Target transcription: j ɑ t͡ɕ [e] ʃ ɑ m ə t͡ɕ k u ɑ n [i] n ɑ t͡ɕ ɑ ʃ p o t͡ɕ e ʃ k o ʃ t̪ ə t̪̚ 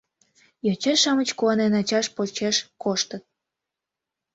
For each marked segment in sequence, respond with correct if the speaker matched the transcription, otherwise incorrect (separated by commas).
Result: correct, incorrect